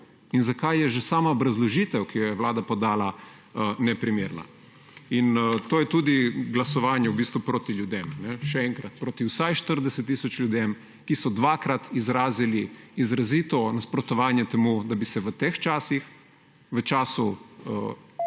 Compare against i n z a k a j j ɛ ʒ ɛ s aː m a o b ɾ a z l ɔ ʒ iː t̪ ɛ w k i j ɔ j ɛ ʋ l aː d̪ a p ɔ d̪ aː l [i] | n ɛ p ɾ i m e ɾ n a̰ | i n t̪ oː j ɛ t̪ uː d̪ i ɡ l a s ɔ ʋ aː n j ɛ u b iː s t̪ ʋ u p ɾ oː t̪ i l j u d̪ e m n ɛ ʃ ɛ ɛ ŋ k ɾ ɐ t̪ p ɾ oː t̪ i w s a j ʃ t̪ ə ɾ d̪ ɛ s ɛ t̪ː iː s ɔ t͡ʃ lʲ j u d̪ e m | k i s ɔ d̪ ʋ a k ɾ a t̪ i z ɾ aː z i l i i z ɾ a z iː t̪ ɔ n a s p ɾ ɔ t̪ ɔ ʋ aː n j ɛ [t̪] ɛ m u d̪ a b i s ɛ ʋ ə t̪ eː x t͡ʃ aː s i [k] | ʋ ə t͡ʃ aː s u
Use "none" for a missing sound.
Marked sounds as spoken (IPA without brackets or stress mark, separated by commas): a, t̪, x